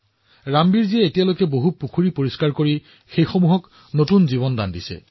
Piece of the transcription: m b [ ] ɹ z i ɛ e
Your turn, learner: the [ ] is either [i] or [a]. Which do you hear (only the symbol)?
i